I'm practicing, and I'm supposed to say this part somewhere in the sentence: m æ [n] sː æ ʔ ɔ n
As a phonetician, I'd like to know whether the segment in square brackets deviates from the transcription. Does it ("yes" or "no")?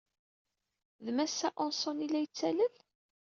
yes